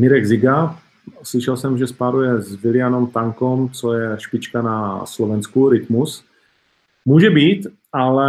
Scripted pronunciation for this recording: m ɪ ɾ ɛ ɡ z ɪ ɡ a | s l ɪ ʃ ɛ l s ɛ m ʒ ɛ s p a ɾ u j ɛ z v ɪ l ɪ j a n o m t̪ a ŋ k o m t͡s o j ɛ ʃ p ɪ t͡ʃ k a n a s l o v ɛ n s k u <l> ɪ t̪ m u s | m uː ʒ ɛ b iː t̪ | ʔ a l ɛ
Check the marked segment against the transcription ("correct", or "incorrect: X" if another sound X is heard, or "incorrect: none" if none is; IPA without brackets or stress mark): incorrect: ɾ